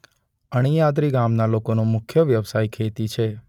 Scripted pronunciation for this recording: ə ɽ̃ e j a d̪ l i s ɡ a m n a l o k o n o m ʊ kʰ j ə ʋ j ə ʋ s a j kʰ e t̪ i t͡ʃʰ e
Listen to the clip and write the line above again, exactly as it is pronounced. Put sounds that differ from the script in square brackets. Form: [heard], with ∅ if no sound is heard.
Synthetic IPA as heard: ə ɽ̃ [i] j a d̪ [ɾ] i [∅] ɡ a m n a l o k o n o m ʊ kʰ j ə ʋ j ə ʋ s a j kʰ e t̪ i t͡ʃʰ e